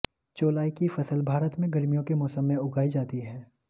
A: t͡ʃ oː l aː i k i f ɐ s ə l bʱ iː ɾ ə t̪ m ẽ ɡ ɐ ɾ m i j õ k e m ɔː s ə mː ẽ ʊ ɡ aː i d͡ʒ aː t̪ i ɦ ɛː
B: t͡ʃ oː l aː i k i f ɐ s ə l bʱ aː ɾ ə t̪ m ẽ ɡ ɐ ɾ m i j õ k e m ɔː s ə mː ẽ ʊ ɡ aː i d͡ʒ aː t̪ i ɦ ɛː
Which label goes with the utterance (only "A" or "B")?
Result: B